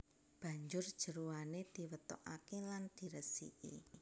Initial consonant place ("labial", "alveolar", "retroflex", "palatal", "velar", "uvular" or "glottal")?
labial